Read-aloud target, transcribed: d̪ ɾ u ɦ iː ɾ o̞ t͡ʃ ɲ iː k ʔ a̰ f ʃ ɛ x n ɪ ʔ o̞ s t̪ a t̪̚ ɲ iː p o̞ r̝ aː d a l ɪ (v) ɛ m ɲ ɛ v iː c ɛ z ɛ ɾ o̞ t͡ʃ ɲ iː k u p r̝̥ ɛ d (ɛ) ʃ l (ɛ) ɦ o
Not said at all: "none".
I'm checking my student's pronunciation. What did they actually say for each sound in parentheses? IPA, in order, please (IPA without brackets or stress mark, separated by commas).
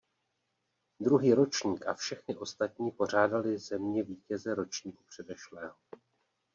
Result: z, ɛ, ɛː